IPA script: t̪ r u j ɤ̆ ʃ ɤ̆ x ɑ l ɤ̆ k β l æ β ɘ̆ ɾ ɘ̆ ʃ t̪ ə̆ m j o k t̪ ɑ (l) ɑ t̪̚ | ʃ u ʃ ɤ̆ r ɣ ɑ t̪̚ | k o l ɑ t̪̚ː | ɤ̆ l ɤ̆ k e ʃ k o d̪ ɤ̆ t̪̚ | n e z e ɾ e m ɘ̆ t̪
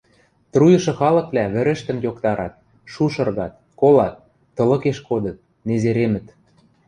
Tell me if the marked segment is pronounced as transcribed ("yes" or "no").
no